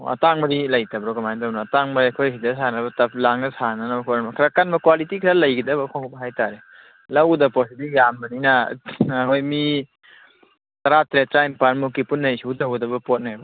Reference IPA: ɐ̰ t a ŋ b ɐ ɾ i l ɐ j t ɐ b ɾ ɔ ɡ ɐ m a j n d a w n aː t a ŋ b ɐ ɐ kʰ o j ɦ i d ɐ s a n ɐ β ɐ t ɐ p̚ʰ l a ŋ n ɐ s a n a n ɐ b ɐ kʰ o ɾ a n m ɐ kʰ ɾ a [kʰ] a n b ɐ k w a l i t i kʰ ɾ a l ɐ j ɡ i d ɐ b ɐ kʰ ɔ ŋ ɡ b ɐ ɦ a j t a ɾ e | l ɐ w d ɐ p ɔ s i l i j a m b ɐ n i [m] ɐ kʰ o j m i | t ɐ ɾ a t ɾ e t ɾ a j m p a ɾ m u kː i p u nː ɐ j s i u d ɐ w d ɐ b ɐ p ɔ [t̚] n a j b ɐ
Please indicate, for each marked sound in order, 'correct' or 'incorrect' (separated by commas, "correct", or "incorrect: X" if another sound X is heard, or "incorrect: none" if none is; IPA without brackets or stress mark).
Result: incorrect: k, incorrect: n, correct